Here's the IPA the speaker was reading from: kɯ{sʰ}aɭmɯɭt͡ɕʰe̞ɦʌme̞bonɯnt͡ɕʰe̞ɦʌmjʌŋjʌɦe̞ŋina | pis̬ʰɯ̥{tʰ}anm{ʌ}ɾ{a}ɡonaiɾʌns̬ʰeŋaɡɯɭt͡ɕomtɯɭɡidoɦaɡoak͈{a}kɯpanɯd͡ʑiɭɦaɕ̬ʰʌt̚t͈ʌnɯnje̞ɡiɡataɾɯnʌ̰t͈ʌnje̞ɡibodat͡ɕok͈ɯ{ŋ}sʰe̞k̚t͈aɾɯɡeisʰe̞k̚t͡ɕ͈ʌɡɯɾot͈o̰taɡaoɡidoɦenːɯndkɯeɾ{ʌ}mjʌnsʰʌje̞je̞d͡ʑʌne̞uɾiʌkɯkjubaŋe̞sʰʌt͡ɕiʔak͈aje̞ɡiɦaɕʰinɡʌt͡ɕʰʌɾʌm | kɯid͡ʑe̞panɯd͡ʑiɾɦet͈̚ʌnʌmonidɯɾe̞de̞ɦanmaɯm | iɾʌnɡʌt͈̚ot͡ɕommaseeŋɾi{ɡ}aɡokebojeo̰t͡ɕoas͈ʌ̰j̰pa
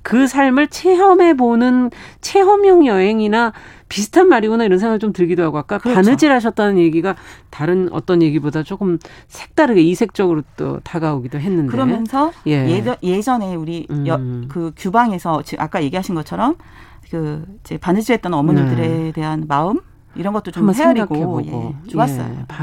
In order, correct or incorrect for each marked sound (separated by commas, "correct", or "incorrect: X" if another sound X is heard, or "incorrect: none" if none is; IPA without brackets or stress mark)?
correct, correct, incorrect: a, incorrect: i, correct, incorrect: m, correct, correct